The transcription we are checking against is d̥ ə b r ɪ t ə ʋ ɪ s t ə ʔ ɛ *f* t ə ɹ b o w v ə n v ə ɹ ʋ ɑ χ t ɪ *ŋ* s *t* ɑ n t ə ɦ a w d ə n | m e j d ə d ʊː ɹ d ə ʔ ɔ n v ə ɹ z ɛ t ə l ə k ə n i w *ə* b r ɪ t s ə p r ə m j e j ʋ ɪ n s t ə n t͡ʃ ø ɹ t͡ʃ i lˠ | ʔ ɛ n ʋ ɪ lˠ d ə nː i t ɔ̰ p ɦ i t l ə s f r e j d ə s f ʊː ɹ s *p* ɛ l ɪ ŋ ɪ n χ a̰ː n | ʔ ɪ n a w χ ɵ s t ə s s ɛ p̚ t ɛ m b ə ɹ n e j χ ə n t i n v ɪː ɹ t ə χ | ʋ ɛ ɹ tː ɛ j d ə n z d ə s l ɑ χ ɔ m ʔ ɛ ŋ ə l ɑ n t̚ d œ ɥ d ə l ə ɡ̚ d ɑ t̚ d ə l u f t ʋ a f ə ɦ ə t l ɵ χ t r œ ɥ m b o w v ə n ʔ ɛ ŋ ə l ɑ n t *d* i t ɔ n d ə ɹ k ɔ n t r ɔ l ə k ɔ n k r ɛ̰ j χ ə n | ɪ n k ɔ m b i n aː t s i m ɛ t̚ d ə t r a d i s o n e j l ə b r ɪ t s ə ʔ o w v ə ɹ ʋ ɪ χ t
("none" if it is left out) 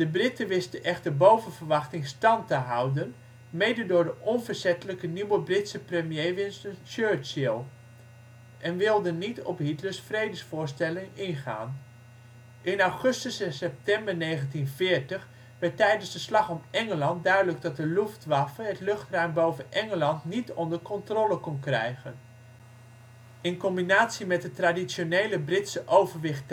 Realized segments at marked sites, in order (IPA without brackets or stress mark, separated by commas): χ, ŋ, t, ə, t, n